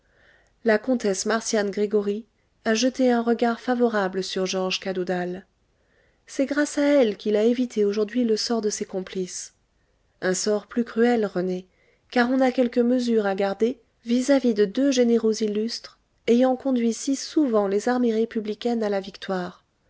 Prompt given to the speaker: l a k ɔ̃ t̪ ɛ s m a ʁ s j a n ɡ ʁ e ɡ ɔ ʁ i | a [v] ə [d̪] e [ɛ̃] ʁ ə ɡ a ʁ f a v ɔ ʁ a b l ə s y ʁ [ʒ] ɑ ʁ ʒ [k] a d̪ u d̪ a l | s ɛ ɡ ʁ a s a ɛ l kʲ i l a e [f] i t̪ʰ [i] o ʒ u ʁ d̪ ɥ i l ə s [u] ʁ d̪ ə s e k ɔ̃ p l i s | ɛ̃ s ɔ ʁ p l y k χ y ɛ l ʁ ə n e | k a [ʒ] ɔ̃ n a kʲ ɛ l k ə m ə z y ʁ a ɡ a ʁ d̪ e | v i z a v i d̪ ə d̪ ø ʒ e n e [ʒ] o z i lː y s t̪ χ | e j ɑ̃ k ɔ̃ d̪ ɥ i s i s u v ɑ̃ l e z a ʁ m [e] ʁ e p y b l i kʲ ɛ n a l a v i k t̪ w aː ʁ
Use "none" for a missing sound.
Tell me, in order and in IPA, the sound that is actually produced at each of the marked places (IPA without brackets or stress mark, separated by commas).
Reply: ʒ, t̪, ɛ̃, ʒ, k, v, e, ɔ, ʁ, ʁ, e